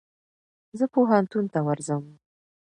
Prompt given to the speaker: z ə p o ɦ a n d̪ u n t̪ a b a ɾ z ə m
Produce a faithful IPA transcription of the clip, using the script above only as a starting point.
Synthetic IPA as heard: z ə p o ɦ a n t̪ u n t̪ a w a ɾ z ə m